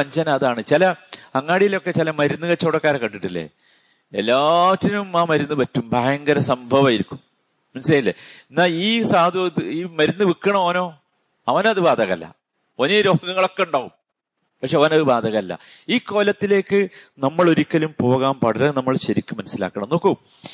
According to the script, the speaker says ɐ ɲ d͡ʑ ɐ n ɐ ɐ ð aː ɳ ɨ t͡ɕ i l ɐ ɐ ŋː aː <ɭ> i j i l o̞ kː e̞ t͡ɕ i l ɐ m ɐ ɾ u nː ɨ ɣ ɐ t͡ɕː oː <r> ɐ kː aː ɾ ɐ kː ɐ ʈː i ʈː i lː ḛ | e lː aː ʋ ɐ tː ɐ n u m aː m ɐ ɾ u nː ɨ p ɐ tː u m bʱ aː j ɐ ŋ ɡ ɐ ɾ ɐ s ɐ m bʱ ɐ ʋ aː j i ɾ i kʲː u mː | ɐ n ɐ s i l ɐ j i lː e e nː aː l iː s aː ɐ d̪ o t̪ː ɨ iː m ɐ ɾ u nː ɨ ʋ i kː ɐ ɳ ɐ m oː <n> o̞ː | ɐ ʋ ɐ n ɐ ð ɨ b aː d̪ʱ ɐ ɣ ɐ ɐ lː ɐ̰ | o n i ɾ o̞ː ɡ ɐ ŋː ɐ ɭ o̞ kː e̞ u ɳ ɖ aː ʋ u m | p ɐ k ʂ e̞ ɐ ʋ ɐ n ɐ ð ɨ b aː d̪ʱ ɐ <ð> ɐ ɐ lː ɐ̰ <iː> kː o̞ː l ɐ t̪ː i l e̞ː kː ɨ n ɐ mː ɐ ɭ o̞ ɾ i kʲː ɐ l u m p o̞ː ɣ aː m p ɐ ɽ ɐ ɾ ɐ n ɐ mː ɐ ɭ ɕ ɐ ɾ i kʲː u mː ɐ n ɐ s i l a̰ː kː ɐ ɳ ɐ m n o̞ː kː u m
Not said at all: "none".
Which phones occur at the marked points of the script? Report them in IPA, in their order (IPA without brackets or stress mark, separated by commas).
ɽ, ɽ, n, ɣ, iː